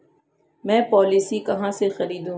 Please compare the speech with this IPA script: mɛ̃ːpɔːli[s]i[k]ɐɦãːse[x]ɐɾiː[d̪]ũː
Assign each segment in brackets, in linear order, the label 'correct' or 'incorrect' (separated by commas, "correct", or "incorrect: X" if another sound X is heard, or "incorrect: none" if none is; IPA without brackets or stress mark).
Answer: correct, correct, correct, correct